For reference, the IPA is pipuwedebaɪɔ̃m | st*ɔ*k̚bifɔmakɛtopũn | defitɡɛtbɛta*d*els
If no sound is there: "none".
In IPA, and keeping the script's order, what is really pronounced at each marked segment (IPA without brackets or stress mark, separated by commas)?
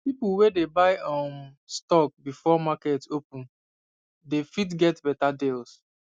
ɔ, d